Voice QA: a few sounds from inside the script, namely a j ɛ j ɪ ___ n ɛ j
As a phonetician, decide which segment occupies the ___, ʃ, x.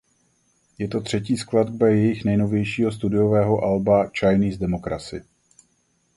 x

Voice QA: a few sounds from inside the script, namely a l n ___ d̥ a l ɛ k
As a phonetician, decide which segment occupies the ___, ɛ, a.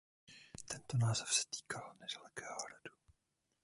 ɛ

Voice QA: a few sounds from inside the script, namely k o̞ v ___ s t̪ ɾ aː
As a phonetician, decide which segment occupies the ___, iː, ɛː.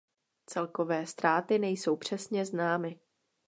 ɛː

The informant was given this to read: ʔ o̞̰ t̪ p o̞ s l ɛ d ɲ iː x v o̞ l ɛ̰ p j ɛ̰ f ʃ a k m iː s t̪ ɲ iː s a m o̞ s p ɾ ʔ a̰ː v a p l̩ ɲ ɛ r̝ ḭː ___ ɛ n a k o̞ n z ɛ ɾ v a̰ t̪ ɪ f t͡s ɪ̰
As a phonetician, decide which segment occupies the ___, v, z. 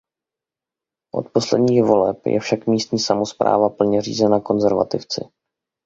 z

